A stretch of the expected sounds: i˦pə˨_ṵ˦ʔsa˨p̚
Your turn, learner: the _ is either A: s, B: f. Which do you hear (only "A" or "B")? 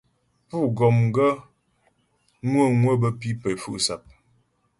B